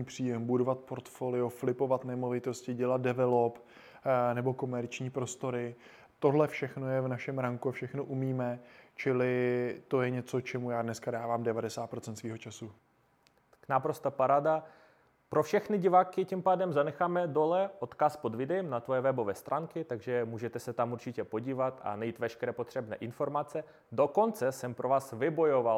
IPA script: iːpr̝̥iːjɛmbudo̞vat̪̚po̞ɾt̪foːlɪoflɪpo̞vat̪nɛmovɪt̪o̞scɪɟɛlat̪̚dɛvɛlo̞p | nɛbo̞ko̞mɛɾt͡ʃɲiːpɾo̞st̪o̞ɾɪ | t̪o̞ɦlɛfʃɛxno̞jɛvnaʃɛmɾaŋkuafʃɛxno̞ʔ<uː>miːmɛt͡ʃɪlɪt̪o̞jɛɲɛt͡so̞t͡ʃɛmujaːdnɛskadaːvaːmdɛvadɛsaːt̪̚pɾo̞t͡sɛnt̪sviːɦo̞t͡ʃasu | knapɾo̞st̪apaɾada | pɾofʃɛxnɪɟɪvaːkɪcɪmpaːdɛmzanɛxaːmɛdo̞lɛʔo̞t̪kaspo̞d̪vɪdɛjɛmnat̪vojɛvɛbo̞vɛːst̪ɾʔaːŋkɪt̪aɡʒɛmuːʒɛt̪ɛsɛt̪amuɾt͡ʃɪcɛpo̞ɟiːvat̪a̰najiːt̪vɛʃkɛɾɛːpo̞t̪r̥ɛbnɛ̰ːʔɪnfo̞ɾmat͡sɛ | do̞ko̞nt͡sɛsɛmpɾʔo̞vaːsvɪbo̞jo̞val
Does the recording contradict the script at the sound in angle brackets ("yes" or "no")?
yes